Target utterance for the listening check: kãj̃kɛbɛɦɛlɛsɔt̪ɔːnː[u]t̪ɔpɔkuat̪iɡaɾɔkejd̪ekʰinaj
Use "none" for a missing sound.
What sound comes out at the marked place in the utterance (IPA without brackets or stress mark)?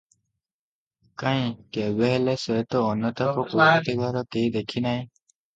ɔ